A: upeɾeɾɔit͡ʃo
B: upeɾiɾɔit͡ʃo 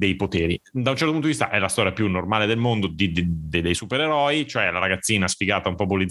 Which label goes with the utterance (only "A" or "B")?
A